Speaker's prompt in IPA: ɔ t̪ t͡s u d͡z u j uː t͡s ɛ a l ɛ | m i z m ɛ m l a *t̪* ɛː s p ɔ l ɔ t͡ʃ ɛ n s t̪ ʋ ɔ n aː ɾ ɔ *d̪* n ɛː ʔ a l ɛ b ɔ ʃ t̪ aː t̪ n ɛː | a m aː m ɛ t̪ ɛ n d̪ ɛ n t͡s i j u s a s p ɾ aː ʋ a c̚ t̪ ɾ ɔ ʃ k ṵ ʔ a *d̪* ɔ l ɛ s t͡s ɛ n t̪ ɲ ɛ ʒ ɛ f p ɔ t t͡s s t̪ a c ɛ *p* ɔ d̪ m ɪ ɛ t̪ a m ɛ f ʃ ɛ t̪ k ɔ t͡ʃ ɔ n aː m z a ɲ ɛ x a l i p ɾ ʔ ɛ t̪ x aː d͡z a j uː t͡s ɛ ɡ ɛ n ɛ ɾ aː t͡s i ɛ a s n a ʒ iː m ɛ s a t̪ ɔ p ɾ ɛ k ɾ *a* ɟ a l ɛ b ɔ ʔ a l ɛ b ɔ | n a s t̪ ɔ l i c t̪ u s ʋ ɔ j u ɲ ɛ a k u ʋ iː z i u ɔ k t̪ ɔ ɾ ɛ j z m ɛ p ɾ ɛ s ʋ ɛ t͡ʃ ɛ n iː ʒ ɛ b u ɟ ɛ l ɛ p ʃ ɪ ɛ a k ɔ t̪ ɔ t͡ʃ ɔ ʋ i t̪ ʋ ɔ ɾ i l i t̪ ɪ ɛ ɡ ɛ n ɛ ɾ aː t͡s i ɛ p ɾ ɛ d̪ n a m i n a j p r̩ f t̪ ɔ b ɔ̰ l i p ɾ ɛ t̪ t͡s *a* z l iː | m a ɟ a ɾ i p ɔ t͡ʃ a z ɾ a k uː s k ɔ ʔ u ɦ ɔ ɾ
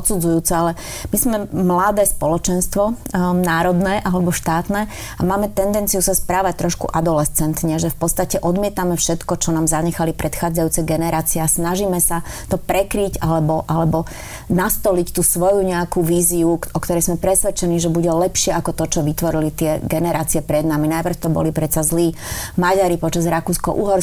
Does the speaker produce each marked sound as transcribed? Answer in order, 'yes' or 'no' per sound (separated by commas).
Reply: no, yes, yes, no, no, yes